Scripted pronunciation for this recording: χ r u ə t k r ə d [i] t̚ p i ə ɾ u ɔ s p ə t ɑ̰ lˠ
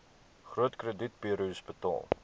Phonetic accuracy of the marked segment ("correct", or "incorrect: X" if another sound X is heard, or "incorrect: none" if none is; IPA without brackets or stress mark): correct